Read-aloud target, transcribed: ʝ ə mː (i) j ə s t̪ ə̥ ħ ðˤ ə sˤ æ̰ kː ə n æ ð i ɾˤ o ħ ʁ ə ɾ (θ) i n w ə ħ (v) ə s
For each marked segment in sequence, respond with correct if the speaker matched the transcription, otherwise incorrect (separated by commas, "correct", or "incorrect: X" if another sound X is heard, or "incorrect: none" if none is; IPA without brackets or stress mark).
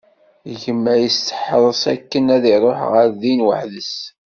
incorrect: æ, incorrect: ð, incorrect: ð